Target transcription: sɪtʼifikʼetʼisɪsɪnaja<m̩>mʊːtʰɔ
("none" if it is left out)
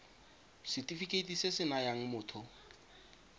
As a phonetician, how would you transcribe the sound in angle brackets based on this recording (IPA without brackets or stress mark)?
ŋ̩